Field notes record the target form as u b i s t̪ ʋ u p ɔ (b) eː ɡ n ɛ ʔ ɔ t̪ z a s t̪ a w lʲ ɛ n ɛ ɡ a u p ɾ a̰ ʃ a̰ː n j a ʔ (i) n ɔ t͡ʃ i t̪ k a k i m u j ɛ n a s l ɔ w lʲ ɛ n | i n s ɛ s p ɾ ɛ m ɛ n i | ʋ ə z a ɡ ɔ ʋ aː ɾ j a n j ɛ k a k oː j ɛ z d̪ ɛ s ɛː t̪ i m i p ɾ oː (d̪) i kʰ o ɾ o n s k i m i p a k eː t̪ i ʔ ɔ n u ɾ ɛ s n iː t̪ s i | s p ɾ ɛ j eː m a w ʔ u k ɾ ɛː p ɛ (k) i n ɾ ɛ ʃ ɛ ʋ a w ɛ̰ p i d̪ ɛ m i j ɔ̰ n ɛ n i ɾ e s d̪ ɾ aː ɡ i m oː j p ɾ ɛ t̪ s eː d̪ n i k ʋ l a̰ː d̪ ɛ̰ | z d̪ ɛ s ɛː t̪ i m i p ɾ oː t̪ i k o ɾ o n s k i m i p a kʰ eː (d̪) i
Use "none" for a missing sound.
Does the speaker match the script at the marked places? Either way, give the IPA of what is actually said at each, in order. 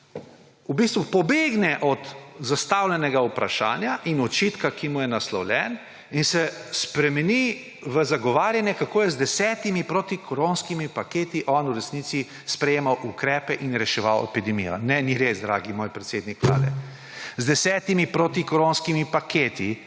b, i, t̪, ʔ, t̪

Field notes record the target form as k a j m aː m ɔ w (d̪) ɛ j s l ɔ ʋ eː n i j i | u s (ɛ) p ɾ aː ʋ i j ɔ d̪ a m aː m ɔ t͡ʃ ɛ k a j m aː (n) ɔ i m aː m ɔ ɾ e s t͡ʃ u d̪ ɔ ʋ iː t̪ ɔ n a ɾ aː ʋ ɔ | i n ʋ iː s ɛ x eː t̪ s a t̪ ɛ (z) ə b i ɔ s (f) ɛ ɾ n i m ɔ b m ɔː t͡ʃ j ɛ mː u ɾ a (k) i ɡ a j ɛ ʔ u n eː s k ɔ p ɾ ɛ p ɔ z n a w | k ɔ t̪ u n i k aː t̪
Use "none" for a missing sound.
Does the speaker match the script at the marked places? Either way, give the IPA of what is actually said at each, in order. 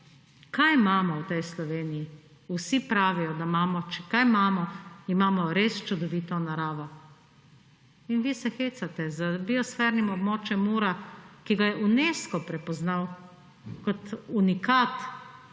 t̪, i, m, z, f, k

